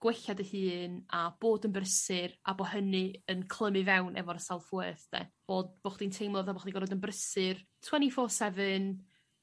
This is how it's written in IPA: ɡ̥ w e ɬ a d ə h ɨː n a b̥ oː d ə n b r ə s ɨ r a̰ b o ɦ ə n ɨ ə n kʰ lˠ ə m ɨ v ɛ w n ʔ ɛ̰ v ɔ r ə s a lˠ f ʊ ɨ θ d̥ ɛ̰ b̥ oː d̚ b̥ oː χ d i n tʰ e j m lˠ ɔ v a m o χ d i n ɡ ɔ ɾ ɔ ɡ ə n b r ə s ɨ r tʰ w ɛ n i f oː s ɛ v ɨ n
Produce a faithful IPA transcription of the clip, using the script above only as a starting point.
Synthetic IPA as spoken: ɡ̥ w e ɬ a d ə h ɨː n a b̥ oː d ə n b r ə s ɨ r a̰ b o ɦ ə n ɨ ə n kʰ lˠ ə m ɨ v ɛ w n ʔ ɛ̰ v ɔ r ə s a lˠ f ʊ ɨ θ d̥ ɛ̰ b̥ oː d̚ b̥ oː χ d i n tʰ e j m lˠ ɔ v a b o χ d i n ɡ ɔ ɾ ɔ d ə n b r ə s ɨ r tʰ w ɛ n i f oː s ɛ v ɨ n